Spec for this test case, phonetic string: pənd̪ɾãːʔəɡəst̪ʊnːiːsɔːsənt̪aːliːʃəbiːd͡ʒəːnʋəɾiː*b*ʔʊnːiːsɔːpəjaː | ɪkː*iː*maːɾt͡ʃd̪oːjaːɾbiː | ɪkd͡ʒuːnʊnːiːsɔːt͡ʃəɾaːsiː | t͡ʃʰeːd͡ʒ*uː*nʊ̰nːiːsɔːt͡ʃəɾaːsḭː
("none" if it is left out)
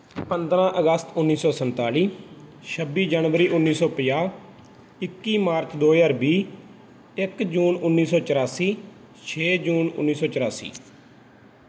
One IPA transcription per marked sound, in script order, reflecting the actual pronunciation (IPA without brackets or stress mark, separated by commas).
none, iː, uː